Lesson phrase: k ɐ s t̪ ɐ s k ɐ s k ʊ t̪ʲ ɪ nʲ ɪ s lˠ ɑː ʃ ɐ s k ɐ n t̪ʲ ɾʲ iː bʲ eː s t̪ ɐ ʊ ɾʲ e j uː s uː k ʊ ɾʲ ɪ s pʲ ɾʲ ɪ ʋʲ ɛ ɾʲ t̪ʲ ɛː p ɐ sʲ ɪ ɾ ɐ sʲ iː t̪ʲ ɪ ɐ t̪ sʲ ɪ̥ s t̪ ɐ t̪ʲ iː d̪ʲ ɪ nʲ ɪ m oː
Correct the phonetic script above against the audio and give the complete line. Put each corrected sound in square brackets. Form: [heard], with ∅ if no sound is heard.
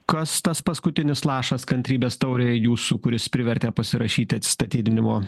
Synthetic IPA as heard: k ɐ s t̪ ɐ s [p] ɐ s k ʊ t̪ʲ ɪ nʲ ɪ s lˠ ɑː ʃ ɐ s k ɐ n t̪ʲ ɾʲ iː bʲ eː s t̪ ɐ ʊ ɾʲ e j uː s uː k ʊ ɾʲ ɪ s pʲ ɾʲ ɪ ʋʲ ɛ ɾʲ t̪ʲ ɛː p ɐ sʲ ɪ ɾ ɐ [ʃʲ] iː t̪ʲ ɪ ɐ t̪ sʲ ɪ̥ s t̪ ɐ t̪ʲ iː d̪ʲ ɪ nʲ ɪ m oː